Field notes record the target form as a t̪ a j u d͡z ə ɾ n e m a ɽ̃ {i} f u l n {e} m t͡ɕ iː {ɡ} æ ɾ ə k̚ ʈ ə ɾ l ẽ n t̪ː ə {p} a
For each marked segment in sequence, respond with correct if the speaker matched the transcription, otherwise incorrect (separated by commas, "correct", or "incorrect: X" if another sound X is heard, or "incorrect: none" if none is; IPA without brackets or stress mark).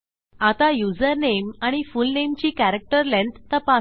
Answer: correct, correct, incorrect: k, correct